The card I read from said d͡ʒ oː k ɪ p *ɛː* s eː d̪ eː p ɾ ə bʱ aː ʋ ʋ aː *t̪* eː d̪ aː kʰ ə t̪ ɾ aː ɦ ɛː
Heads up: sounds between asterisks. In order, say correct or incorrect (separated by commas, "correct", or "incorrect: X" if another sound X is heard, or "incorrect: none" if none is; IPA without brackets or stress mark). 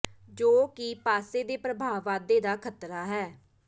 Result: incorrect: aː, incorrect: d̪